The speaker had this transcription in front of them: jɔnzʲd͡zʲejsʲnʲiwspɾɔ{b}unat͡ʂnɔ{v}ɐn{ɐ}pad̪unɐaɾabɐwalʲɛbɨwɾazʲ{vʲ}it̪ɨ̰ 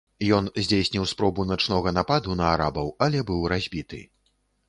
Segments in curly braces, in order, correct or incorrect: correct, incorrect, incorrect, incorrect

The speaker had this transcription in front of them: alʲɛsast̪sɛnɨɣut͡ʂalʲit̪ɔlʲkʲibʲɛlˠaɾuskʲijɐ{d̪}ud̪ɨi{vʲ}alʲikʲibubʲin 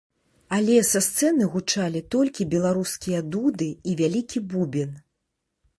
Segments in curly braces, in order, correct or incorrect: correct, correct

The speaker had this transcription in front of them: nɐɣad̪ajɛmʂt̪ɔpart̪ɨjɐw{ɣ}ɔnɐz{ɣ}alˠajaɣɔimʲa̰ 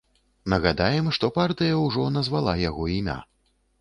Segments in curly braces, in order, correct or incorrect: incorrect, incorrect

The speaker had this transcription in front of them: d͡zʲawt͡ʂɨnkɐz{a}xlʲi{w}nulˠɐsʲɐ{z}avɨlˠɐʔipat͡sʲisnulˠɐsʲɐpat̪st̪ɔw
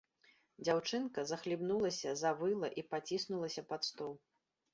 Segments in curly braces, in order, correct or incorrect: incorrect, incorrect, correct

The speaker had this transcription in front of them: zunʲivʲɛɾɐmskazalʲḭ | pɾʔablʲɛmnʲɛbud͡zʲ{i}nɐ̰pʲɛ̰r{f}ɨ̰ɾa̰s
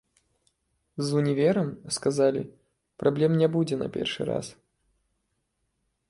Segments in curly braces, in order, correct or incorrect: incorrect, incorrect

